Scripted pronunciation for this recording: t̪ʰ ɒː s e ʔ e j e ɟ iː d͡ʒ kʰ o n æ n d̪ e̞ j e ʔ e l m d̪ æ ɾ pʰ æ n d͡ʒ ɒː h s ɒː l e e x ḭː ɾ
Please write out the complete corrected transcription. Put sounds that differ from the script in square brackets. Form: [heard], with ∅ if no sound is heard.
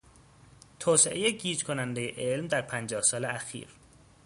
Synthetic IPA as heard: t̪ʰ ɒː s e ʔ e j e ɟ iː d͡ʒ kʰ o n æ n d̪ e̞ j e ʔ e l m d̪ æ ɾ pʰ æ n d͡ʒ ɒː h s ɒː l e [æ] x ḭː ɾ